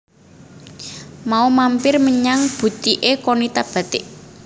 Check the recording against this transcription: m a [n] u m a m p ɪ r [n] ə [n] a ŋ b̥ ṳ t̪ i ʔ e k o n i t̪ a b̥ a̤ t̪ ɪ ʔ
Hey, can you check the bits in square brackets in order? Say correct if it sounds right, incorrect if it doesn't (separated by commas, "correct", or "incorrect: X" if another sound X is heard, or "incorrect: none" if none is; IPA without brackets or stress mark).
incorrect: none, incorrect: m, incorrect: ɲ